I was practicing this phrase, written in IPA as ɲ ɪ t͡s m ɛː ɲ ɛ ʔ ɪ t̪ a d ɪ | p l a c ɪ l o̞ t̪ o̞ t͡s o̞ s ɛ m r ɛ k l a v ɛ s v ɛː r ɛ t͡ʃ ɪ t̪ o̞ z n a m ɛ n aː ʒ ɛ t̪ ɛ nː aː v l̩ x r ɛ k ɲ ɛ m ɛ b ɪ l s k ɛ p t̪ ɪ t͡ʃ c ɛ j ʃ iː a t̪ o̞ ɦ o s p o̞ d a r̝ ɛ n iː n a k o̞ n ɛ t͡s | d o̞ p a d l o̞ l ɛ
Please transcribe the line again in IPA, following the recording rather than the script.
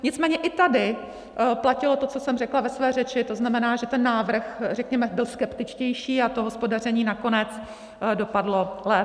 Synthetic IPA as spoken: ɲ ɪ t͡s m ɛː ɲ ɛ ʔ ɪ t̪ a d ɪ | p l a c ɪ l o̞ t̪ o̞ t͡s o̞ s ɛ m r ɛ k l a v ɛ s v ɛː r ɛ t͡ʃ ɪ t̪ o̞ z n a m ɛ n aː ʒ ɛ t̪ ɛ nː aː v r̩ x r ɛ k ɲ ɛ m ɛ b ɪ l s k ɛ p t̪ ɪ t͡ʃ c ɛ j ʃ iː a t̪ o̞ ɦ o s p o̞ d a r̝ ɛ ɲ iː n a k o̞ n ɛ t͡s | d o̞ p a d l o̞ l ɛ